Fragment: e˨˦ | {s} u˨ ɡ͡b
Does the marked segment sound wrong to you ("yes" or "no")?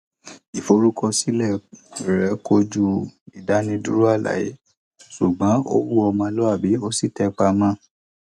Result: no